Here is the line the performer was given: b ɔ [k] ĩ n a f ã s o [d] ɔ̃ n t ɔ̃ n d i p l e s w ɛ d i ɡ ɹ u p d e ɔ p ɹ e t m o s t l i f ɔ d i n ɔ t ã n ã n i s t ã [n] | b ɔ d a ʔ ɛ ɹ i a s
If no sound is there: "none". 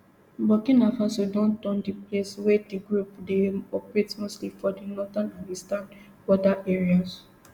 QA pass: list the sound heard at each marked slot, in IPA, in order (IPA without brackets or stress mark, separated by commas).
k, d, n